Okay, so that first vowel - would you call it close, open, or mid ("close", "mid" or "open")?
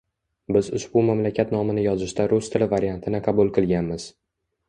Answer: close